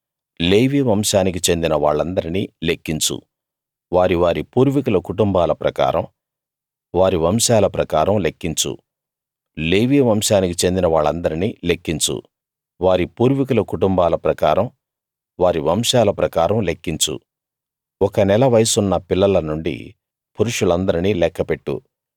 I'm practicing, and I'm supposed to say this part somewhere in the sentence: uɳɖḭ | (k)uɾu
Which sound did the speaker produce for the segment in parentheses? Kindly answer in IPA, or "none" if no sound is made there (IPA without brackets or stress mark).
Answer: p